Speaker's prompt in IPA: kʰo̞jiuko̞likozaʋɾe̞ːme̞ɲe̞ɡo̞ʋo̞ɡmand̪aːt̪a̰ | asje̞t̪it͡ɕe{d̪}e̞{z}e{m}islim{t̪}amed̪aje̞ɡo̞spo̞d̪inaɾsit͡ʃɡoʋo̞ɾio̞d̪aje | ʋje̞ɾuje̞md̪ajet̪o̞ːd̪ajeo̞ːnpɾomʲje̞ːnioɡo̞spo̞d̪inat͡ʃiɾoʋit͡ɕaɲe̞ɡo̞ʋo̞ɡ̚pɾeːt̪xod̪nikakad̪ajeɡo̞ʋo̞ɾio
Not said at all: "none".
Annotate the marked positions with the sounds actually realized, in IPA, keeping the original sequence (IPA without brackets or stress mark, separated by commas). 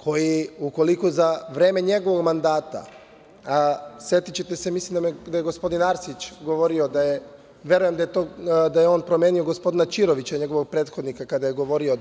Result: t̪, s, m, d̪